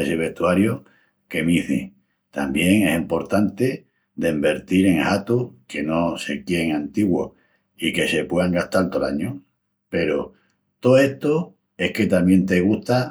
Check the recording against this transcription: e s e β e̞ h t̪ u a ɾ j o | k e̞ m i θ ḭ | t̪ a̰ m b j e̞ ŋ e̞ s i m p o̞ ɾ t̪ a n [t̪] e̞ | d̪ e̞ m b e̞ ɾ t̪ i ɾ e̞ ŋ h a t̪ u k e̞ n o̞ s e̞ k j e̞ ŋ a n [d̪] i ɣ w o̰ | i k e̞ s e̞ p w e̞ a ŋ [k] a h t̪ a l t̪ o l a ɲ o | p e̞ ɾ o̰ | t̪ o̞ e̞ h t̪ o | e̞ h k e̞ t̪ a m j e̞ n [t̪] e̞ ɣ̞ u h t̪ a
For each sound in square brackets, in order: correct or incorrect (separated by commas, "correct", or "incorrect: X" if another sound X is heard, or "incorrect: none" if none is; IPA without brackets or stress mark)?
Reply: correct, incorrect: t̪, incorrect: ɡ, correct